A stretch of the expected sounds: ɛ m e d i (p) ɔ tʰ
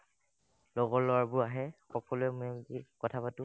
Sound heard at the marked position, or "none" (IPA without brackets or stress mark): k